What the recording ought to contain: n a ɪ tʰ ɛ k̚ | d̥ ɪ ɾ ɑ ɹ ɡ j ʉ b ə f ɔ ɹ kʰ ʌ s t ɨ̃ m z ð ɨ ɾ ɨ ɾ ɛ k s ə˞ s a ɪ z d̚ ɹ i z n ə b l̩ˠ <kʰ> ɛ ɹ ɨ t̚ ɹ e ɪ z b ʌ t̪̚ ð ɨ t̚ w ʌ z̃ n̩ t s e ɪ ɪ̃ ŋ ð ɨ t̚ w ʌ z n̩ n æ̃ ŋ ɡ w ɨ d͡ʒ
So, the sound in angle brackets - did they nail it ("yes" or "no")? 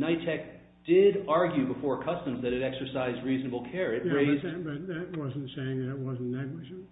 yes